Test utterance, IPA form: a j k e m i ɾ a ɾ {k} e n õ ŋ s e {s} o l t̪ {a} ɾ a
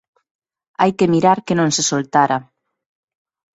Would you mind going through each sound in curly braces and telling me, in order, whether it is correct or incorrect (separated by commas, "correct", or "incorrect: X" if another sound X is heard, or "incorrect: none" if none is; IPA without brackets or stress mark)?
correct, correct, correct